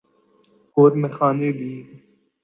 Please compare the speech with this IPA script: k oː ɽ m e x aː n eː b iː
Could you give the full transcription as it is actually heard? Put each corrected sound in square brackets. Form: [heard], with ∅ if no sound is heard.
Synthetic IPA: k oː [ɾ] m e x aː n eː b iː